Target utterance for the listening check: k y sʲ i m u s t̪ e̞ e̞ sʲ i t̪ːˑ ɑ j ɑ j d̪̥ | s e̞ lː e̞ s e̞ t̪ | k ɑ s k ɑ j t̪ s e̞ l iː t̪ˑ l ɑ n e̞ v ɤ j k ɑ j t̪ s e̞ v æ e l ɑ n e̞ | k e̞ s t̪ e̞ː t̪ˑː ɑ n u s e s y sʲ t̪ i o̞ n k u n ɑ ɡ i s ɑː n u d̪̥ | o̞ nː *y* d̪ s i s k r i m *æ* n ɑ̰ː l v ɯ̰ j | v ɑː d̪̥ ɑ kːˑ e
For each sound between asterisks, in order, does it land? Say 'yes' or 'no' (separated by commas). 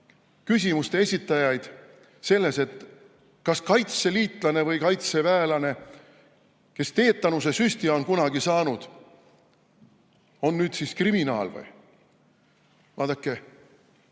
no, no